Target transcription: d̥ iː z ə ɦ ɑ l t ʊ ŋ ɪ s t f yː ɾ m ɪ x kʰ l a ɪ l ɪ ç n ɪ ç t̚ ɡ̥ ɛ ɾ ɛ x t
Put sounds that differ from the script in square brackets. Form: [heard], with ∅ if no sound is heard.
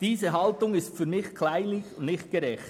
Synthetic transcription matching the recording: d̥ iː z ə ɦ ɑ l t ʊ ŋ ɪ s t f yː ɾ m ɪ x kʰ l a ɪ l ɪ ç n ɪ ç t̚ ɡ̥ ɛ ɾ ɛ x t